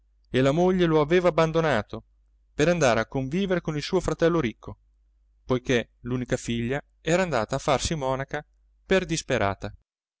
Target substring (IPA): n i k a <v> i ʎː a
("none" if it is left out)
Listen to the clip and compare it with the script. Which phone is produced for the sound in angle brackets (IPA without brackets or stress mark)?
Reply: f